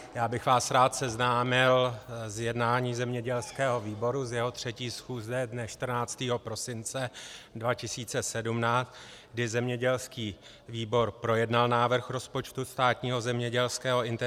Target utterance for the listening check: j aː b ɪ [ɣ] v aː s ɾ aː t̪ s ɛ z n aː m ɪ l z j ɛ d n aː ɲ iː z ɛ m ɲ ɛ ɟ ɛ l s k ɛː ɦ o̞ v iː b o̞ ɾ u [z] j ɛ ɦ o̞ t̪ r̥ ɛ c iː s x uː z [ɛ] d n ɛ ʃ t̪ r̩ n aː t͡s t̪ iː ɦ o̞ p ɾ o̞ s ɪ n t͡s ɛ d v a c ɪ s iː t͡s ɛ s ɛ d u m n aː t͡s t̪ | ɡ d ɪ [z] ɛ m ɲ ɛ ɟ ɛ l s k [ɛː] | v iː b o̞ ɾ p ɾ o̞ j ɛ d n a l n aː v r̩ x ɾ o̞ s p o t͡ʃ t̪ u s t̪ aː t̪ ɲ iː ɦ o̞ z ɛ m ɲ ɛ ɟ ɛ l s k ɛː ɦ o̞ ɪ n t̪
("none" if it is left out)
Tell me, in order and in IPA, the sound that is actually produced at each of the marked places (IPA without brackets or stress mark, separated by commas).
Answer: x, z, ɛ, z, iː